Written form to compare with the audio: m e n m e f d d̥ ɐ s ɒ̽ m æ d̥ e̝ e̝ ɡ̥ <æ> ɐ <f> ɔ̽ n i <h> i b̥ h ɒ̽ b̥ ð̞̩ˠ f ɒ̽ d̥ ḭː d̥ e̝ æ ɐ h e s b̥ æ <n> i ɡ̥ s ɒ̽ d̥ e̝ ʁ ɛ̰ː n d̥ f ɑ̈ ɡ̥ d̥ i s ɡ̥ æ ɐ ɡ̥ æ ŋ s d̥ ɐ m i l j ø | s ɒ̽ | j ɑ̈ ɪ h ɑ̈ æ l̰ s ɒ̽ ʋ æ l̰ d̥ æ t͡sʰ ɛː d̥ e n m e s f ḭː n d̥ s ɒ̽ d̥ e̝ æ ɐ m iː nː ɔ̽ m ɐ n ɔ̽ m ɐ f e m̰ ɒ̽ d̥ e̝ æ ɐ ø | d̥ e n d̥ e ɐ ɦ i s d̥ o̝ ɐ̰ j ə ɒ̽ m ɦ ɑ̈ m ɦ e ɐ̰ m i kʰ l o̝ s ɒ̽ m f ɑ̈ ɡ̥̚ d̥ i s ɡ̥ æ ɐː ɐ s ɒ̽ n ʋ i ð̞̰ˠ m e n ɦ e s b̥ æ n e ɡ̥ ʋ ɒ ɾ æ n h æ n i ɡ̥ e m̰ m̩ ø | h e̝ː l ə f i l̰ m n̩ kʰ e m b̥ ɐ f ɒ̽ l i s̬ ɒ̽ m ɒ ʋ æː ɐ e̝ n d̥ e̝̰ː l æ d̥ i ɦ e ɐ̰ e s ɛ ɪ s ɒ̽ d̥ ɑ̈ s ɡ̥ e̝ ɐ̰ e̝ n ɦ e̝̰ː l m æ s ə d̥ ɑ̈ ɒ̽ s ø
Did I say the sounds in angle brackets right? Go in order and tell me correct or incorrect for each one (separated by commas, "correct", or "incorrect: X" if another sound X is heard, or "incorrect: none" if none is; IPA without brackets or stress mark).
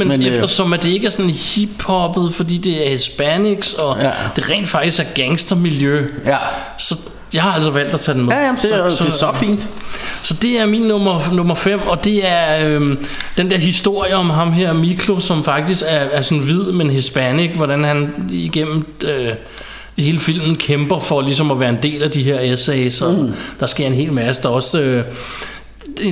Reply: correct, incorrect: s, correct, correct